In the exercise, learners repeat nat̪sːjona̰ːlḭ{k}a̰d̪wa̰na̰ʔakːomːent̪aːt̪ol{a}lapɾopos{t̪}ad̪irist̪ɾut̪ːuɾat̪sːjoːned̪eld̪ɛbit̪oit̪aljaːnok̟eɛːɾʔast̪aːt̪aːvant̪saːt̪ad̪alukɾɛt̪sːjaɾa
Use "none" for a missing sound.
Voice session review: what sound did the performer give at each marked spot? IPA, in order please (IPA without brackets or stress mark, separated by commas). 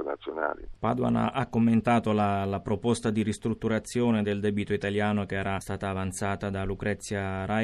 p, a, t̪